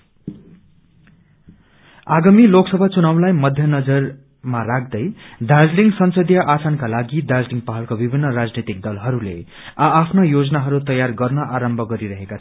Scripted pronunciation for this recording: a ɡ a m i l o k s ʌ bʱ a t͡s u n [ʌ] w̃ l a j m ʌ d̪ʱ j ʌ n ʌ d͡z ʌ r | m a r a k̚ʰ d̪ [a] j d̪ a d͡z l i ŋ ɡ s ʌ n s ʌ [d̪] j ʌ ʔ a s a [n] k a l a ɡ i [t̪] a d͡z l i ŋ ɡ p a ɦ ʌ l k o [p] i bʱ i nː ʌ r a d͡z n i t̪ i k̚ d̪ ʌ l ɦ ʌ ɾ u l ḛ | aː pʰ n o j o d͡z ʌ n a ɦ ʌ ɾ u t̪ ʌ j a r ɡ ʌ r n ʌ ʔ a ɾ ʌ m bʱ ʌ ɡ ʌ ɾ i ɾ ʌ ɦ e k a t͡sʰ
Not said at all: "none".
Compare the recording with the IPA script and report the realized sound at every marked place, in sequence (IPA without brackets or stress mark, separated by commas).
a, ʌ, d̪, n, d̪, b